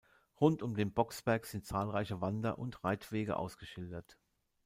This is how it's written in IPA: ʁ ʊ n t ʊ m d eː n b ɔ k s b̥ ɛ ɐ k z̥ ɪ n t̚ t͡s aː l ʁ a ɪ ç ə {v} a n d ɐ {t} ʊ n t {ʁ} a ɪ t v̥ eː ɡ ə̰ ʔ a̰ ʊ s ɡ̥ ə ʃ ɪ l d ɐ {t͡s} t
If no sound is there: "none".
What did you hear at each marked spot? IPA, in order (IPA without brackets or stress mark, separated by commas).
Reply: v, ʔ, ʁ, none